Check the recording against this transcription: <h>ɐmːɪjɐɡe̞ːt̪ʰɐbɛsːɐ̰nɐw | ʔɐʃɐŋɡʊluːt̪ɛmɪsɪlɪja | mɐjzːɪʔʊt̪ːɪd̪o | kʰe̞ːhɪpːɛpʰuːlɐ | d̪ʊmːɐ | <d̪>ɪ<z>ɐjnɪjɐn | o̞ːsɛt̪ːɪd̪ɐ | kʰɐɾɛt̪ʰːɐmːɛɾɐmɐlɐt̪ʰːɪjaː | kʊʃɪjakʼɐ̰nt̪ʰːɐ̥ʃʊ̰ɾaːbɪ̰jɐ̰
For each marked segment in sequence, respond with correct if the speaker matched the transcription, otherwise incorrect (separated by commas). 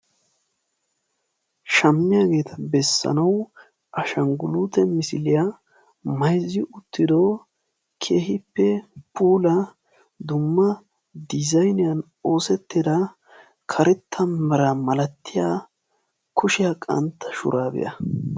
incorrect, correct, correct